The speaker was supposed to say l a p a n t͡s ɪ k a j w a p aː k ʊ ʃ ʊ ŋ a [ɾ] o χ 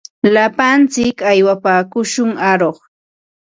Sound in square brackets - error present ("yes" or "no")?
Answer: no